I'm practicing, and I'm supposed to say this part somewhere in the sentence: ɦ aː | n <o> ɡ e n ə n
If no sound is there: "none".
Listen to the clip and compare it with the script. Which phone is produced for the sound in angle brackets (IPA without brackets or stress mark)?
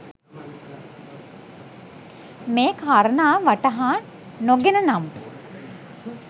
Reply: o